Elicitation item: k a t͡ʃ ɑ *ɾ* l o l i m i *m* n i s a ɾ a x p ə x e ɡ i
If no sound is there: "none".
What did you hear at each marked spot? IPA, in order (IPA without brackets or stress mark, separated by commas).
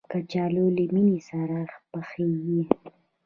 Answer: none, none